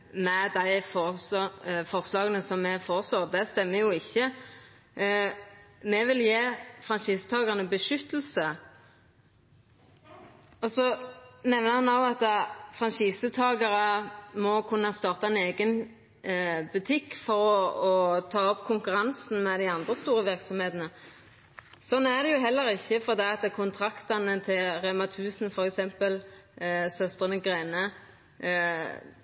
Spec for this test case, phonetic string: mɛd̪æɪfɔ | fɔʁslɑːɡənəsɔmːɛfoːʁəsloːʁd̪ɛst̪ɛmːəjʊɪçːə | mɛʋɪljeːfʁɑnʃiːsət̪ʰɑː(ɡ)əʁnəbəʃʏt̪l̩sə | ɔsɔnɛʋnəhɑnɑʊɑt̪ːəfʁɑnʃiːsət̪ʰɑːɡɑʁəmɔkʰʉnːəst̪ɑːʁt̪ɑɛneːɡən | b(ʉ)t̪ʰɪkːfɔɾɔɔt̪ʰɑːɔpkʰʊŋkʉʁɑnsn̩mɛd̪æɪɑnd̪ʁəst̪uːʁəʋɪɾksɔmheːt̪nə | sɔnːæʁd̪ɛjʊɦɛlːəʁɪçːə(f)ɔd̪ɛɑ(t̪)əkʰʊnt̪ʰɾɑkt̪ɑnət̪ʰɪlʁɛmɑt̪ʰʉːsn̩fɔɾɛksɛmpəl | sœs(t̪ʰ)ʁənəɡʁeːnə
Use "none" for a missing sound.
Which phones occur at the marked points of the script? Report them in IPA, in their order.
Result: ɡ, ʉ, f, t̪, t̪

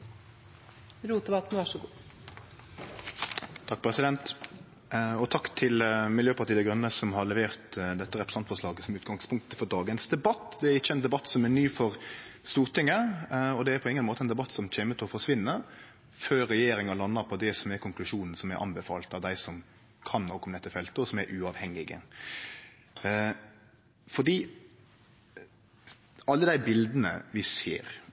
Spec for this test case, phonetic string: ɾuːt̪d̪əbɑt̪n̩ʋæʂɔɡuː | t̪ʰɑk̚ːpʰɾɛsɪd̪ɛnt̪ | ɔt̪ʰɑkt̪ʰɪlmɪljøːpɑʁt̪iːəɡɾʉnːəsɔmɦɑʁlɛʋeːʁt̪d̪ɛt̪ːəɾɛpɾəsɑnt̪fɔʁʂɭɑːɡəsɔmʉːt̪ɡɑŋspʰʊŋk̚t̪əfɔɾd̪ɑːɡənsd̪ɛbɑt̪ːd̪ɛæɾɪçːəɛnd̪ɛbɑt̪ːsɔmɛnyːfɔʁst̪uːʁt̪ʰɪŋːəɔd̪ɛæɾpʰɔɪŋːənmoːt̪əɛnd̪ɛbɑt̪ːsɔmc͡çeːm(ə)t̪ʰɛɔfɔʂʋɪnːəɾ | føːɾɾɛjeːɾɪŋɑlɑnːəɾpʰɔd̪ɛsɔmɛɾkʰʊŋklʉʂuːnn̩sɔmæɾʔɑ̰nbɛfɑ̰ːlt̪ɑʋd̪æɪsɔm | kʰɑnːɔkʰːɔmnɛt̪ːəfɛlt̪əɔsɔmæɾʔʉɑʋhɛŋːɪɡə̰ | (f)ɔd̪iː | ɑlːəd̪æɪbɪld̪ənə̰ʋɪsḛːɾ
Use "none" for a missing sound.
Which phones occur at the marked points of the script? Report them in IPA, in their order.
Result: ə, f

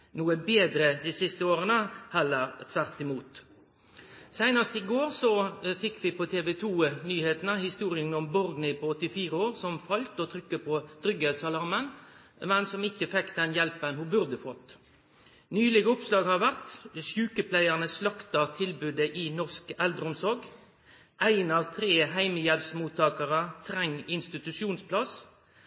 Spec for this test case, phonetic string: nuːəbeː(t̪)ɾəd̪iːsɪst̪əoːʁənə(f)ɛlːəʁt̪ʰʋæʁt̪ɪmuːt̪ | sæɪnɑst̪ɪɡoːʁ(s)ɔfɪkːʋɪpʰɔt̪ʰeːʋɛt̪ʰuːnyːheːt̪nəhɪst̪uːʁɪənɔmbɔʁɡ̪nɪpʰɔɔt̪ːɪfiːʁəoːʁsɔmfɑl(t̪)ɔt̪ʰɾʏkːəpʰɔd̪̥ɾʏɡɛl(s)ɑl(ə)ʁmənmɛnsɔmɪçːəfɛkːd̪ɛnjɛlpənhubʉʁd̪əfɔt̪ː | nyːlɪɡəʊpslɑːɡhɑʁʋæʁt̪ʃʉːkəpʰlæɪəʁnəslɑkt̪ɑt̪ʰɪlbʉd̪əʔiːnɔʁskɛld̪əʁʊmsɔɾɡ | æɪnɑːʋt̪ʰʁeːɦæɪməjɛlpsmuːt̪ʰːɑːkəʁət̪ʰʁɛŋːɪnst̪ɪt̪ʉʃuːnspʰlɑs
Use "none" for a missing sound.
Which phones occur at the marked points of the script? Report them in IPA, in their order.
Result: d̪, h, s, t̪, s, ɑ

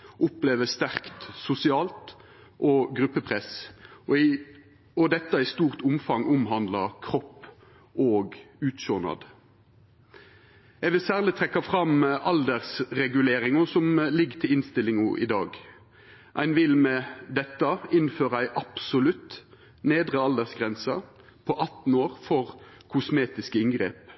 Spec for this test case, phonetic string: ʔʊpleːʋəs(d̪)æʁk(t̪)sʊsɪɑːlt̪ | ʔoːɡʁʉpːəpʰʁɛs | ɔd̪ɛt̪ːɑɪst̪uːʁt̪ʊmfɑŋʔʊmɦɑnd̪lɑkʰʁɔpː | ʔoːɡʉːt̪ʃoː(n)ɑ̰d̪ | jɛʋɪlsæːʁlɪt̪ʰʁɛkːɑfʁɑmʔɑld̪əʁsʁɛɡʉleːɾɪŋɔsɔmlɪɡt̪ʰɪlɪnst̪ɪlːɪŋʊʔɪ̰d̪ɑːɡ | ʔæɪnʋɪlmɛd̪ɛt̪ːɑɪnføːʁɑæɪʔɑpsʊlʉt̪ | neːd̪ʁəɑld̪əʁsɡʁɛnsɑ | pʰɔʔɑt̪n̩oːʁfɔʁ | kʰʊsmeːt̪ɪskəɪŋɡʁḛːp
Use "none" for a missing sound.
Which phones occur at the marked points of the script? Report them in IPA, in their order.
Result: t̪, t̪, n

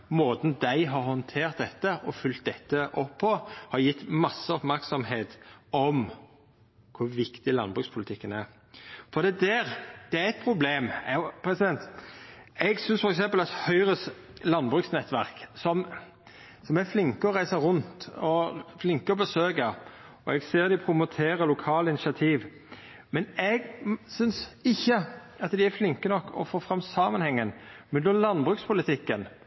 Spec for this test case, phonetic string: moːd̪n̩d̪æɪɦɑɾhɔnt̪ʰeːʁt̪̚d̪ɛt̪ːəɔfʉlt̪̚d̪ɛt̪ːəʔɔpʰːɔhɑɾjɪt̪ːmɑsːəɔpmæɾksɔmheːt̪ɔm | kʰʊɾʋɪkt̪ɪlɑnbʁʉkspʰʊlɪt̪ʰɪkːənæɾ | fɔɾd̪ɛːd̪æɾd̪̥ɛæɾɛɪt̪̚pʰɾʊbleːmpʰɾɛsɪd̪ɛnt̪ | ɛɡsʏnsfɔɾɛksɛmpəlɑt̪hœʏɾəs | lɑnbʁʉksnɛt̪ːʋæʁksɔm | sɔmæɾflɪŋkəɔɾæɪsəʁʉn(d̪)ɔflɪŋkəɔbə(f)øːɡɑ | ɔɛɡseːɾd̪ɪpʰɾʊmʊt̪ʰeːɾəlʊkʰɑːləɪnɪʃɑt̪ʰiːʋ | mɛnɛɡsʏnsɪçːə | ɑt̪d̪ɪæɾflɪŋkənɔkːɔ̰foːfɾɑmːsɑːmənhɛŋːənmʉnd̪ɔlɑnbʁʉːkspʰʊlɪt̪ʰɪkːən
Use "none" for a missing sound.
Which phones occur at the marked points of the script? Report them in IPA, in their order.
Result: t̪, s

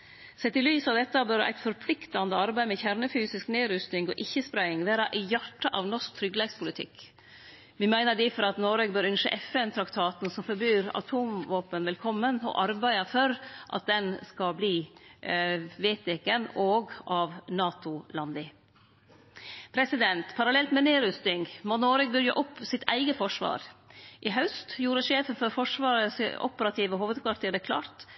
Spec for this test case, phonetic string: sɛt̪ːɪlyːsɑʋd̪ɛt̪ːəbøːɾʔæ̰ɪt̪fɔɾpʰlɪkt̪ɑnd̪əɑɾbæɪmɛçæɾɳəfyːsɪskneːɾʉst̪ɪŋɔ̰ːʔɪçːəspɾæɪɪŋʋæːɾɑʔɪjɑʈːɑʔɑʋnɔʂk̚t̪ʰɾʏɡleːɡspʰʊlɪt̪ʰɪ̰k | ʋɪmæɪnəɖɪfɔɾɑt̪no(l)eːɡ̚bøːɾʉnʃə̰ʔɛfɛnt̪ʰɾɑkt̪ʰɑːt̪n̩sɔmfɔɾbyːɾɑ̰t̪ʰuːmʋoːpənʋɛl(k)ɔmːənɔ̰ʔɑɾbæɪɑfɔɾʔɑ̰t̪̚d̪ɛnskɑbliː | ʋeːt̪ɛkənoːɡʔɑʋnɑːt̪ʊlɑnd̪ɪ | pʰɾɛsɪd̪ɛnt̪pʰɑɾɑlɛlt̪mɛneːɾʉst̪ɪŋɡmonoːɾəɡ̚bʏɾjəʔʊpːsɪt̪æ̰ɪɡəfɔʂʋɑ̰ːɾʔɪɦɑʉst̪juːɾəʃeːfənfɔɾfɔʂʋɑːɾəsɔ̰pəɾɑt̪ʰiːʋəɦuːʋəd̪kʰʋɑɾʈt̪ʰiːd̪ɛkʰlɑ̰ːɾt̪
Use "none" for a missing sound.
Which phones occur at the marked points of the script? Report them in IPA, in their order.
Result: ɾ, kʰ

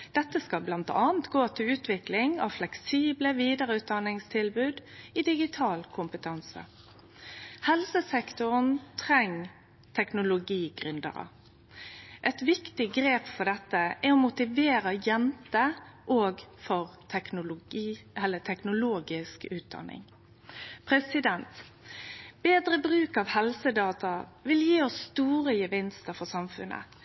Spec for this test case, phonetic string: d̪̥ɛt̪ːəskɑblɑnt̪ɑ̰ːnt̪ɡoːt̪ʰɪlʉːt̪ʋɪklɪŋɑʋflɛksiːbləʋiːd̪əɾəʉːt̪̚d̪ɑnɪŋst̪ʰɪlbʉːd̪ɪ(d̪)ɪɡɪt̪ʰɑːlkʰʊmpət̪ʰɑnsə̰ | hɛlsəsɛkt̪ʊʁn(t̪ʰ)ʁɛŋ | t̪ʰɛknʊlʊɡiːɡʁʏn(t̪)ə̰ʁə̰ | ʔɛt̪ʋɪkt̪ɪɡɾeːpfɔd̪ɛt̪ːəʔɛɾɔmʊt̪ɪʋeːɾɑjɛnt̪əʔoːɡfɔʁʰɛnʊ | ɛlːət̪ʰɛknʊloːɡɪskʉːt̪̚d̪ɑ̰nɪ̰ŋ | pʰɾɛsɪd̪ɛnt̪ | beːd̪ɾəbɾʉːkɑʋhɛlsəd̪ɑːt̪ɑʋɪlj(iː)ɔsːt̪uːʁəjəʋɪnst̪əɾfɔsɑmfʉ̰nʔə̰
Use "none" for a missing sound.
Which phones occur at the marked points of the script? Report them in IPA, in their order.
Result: d̪, t̪ʰ, d̪, iː

